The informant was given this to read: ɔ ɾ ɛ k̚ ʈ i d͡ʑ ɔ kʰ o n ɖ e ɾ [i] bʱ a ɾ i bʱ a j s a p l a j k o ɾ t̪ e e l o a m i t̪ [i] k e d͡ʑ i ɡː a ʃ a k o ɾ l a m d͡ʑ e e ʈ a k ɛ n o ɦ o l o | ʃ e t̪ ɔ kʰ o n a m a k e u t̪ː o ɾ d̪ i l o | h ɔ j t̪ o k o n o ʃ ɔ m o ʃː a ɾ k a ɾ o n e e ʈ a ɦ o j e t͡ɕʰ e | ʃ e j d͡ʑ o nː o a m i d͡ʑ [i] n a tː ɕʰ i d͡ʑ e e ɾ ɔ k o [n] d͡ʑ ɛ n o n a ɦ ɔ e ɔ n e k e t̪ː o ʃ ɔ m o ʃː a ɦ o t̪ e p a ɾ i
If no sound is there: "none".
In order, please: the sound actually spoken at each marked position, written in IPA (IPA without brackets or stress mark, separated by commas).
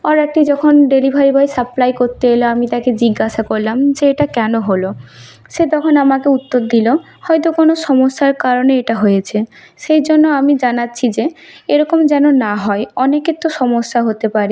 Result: i, a, a, m